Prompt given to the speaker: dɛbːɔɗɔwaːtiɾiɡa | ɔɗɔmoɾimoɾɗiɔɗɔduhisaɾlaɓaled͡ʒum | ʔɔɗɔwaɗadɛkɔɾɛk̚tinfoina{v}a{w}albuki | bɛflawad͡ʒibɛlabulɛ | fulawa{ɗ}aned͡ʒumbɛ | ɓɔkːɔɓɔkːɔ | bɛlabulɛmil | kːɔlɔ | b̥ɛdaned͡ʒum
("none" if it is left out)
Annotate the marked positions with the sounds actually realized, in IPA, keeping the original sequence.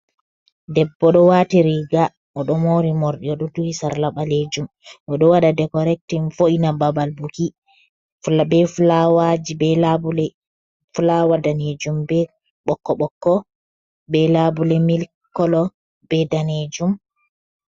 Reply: b, b, d

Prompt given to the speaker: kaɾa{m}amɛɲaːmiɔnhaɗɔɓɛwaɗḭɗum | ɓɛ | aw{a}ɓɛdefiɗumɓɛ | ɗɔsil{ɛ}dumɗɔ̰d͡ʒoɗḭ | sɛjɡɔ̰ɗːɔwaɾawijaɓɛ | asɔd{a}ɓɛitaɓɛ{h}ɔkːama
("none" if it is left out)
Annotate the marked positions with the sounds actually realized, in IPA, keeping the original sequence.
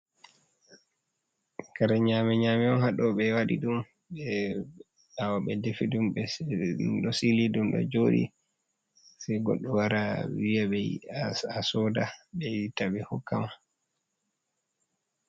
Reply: ɲ, a, i, a, h

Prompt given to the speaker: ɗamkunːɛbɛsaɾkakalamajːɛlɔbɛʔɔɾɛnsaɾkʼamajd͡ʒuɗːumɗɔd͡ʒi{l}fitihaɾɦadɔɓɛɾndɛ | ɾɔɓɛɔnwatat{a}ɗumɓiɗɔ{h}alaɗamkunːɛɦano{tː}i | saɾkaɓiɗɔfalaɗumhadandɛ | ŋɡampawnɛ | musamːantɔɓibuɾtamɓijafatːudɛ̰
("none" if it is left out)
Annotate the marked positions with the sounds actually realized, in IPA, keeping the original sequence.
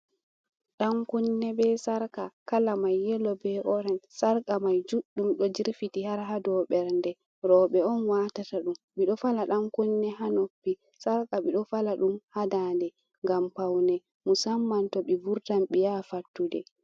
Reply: ɾ, a, f, pː

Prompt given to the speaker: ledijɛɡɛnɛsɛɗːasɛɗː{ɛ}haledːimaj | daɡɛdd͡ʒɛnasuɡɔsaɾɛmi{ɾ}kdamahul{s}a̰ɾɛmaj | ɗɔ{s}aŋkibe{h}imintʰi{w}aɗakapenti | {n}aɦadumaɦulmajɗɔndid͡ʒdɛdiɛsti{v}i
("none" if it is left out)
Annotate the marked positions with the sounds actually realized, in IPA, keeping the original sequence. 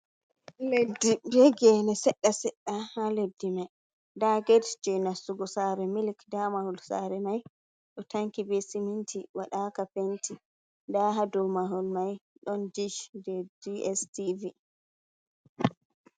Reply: a, l, s, t, s, w, d, v

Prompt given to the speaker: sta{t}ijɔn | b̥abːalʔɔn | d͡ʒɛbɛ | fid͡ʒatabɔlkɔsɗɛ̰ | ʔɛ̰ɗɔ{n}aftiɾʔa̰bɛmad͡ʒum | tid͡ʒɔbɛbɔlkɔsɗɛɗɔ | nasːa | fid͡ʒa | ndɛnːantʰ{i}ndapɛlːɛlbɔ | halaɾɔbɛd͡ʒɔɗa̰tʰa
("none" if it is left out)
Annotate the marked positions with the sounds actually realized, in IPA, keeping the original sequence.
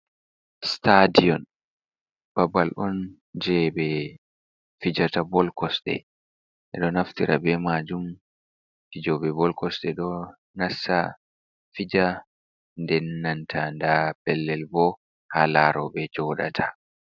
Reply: d, n, a

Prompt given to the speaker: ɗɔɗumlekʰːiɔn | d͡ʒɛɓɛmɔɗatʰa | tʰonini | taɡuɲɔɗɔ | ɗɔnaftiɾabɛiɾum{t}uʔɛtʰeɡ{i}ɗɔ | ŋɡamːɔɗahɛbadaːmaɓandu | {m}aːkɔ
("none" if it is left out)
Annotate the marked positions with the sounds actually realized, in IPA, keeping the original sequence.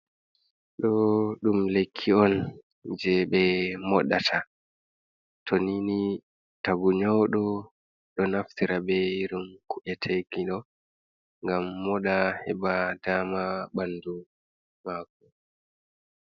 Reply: k, i, m

